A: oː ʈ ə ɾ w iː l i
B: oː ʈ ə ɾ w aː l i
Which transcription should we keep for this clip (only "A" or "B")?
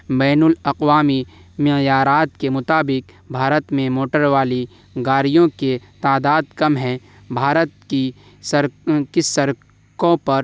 B